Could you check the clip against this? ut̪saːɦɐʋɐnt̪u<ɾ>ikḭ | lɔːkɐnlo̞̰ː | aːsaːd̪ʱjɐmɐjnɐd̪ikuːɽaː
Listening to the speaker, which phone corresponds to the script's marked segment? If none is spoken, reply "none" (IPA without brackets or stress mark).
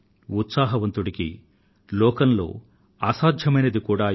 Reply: ɽ